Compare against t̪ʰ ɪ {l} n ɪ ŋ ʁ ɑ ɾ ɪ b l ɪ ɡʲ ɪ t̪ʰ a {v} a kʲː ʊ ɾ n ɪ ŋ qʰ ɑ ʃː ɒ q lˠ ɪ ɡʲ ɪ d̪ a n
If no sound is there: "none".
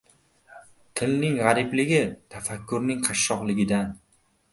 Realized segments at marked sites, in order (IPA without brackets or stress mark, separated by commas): l, f